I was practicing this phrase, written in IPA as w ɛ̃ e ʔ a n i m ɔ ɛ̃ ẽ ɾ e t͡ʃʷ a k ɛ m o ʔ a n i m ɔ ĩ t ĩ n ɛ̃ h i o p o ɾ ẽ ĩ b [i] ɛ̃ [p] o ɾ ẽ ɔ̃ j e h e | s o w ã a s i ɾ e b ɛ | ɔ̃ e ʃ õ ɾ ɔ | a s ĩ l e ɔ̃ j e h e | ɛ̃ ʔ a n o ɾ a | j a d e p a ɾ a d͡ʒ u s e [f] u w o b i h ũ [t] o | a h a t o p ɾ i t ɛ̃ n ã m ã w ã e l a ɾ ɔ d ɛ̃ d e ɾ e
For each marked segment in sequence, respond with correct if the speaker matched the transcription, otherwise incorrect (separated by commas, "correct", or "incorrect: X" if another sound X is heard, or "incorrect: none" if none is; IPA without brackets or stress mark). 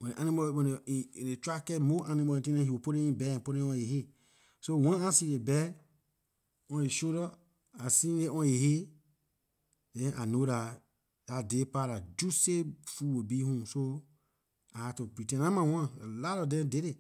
incorrect: ɛ, correct, correct, incorrect: s